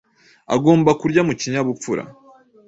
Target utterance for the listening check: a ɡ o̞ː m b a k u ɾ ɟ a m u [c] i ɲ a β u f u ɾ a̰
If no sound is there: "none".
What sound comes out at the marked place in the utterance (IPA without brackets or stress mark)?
c